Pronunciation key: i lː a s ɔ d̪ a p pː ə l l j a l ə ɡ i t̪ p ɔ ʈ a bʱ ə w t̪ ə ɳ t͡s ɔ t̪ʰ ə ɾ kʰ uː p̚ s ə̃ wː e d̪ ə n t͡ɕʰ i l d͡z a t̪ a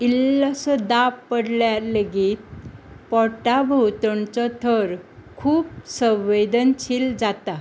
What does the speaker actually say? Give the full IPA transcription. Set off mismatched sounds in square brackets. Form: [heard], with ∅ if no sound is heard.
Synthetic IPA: i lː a s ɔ d̪ a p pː ə [ɽ] l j a l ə ɡ i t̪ p ɔ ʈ a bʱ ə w t̪ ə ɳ t͡s ɔ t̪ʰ ə ɾ kʰ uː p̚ s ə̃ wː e d̪ ə n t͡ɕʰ i l d͡z a t̪ a